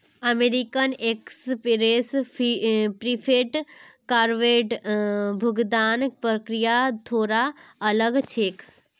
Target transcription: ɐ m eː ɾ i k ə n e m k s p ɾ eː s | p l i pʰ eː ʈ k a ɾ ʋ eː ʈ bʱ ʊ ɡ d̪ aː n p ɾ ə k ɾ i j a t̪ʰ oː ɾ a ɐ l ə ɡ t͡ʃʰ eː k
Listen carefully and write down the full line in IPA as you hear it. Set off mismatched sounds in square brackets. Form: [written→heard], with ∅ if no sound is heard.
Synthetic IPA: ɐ m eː ɾ i k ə n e [m→∅] k s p ɾ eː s | p [l→ɾ] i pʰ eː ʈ k a ɾ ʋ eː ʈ bʱ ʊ ɡ d̪ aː n p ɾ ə k ɾ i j a t̪ʰ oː ɾ a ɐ l ə ɡ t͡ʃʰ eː k